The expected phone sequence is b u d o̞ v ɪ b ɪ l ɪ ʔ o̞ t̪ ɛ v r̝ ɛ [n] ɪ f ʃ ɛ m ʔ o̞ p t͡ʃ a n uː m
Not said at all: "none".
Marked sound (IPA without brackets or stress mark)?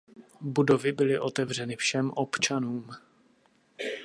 n